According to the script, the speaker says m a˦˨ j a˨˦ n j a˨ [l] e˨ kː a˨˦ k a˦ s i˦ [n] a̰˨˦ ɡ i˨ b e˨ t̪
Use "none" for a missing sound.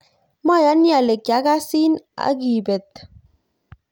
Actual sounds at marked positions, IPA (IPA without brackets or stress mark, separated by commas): l, n